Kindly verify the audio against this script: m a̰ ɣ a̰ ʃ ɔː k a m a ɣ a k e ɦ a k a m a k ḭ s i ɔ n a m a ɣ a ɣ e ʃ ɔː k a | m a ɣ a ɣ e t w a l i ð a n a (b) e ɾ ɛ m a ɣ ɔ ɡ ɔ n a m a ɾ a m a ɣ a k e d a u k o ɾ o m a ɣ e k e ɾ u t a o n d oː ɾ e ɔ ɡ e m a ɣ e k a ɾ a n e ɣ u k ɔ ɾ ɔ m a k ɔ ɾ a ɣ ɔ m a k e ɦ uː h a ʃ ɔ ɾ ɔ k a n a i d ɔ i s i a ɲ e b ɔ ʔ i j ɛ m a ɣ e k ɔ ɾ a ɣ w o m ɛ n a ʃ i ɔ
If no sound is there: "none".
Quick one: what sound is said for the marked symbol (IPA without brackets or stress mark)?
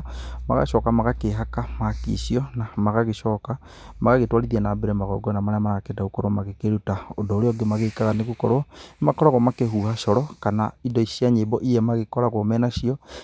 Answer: b